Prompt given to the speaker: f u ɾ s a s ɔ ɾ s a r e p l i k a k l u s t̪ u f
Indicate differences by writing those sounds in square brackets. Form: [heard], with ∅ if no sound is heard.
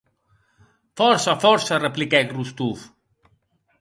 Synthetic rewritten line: f [ɔ] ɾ s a [f] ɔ ɾ s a r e p l i k [ɛ] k [r] u s t̪ u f